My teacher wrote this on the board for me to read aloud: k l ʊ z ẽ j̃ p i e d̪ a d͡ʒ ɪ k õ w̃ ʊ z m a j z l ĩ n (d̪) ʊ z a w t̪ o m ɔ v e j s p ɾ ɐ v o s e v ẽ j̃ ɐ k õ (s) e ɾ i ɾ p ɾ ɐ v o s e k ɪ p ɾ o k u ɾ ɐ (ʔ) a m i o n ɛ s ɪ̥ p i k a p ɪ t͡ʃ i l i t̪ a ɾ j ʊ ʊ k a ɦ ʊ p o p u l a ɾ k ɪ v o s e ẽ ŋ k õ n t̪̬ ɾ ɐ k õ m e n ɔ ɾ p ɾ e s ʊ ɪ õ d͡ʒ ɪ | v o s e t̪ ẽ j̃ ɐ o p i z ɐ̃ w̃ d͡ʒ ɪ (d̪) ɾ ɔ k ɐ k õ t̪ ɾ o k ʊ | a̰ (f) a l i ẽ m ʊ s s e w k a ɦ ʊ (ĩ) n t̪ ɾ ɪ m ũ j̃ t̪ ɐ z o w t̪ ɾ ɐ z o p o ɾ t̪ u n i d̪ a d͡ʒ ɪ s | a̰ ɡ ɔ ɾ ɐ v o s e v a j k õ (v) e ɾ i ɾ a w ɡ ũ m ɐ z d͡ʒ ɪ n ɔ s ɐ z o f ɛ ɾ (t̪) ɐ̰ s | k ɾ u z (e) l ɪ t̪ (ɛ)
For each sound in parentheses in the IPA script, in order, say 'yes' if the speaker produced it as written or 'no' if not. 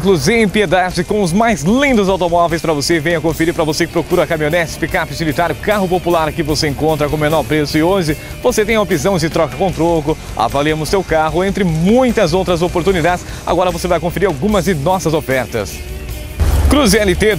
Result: yes, no, no, no, no, no, no, yes, no, no

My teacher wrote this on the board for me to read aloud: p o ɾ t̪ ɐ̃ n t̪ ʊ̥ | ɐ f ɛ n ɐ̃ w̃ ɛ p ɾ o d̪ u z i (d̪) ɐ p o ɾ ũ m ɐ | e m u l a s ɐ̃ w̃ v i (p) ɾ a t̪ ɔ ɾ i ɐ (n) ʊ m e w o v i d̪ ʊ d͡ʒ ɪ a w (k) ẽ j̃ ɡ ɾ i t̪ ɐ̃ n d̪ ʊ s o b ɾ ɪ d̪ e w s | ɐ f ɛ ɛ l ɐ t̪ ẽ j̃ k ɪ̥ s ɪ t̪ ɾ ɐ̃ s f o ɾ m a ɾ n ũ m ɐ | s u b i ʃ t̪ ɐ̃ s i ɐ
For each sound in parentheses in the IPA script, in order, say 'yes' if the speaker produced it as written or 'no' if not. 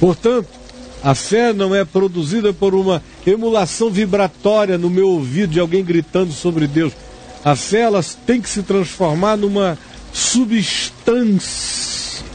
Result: yes, no, yes, no

